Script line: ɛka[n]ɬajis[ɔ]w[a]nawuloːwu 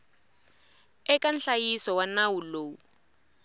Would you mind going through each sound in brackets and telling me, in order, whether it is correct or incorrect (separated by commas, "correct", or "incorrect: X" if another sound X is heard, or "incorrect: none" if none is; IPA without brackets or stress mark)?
correct, correct, correct